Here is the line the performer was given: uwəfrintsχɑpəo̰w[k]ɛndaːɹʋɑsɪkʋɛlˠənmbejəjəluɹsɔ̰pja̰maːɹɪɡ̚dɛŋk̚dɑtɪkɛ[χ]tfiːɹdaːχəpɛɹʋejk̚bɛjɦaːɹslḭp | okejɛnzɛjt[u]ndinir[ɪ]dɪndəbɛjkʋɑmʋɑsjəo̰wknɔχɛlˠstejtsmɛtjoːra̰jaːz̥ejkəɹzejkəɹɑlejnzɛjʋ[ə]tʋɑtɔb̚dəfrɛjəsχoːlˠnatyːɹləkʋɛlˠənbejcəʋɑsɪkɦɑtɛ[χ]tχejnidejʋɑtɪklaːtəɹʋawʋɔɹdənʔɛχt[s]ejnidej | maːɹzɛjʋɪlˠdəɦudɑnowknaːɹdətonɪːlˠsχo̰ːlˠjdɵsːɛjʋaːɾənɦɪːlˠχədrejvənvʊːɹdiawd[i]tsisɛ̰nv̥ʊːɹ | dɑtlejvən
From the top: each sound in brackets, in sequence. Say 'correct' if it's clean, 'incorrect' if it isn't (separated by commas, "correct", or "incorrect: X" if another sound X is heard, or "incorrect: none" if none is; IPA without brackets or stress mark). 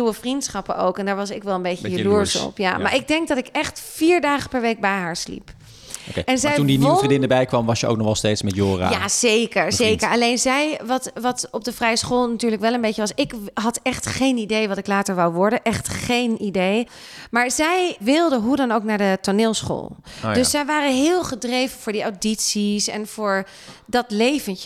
correct, correct, correct, incorrect: i, incorrect: ɑ, correct, incorrect: χ, correct